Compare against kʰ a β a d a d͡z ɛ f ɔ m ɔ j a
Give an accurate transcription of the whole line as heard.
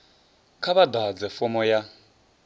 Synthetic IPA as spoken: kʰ a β a d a d͡z ɛ f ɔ m ɔ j a

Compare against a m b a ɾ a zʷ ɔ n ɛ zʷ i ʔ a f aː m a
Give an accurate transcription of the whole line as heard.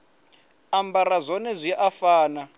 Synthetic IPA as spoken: a m b a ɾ a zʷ ɔ n ɛ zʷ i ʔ a f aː n a

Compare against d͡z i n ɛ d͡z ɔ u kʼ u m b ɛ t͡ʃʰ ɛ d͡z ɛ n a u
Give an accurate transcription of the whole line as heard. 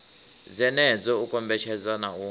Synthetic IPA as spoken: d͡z ɛ n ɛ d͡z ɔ u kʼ ɔ m b ɛ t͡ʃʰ ɛ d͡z a n a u

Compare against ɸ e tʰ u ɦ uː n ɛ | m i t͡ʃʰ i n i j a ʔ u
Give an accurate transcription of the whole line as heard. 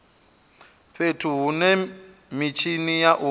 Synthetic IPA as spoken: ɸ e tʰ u ɦ u n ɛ | m i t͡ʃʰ i n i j a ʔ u

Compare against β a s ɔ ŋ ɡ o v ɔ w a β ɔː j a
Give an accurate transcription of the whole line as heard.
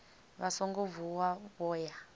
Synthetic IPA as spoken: β a s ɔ ŋ ɡ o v u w a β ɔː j a

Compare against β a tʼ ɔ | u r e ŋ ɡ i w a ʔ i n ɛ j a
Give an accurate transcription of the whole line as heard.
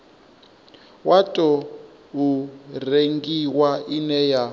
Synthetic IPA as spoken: w a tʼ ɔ | u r e ŋ ɡ i w a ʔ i n ɛ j a

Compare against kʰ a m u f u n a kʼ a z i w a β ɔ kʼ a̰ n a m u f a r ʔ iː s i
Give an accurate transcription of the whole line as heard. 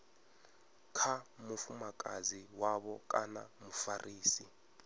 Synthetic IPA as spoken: kʰ a m u f u m a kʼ a z i w a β ɔ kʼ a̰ n a m u f a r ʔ iː s i

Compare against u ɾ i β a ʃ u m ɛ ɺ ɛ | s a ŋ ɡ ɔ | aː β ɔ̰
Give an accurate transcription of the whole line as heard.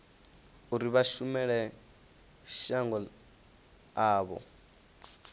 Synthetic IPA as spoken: u ɾ i β a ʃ u m ɛ ɺ ɛ | ʃ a ŋ ɡ ɔ | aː β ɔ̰

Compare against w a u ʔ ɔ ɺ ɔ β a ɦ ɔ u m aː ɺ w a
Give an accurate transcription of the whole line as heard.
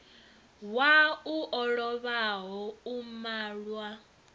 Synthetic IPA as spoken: w a u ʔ ɔ ɺ ɔ β a ɦ ɔ u m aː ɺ w a

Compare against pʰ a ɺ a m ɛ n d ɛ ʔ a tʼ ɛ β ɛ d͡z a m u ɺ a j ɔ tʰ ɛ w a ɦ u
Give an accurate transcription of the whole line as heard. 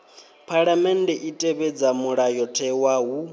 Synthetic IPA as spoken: pʰ a ɺ a m ɛ n d ɛ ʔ i tʼ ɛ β ɛ d͡z a m u ɺ a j ɔ tʰ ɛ w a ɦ u

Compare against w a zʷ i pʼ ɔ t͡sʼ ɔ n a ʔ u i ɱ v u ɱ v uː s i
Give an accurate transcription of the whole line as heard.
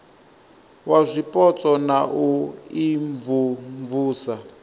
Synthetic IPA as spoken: w a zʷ i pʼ ɔ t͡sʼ ɔ n a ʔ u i ɱ v u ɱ v uː s a

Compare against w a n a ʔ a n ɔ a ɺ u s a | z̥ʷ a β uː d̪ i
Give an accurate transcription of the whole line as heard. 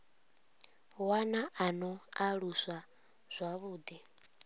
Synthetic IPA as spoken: w a n a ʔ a n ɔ a ɺ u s a | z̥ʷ a β uː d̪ i

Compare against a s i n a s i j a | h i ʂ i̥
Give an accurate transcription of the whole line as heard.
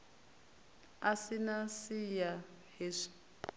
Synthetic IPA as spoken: a s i n a s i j a | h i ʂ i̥

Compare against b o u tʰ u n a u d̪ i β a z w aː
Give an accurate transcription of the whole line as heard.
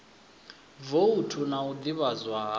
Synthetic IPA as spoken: v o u tʰ u n a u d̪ i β a z w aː

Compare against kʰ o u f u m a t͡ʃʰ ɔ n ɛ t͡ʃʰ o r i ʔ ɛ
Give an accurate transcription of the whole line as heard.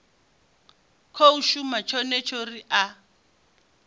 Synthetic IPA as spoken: kʰ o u ʃ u m a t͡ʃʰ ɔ n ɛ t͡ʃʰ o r i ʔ a

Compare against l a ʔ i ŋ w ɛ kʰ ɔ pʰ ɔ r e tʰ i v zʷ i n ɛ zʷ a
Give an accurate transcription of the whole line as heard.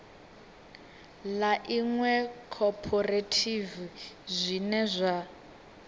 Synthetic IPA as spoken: l a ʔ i ŋ w ɛ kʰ ɔ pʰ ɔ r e tʰ i v zʷ i n ɛ zʷ a

